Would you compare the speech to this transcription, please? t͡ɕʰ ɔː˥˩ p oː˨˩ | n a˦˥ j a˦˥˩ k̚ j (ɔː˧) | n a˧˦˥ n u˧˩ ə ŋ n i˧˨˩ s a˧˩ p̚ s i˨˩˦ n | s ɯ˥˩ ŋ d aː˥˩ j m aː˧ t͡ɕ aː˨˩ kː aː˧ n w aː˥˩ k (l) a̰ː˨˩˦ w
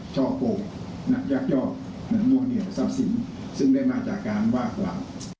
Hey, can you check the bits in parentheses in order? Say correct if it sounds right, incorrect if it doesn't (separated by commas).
incorrect, correct